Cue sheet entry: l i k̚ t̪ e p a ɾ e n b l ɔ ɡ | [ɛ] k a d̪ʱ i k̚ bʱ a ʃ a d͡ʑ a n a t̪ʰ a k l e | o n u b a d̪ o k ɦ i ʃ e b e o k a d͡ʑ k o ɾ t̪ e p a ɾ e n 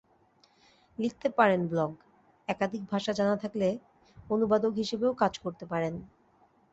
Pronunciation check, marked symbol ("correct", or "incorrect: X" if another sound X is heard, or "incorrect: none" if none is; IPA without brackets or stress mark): correct